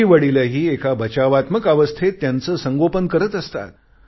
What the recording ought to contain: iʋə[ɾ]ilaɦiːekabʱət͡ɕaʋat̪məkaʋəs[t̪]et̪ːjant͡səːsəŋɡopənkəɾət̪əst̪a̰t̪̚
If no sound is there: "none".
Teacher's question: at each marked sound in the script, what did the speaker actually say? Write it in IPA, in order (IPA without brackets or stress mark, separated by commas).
ɽ, t̪ʰ